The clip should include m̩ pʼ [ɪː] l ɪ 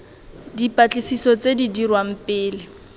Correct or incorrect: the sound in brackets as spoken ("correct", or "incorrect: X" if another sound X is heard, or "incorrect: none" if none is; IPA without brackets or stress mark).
correct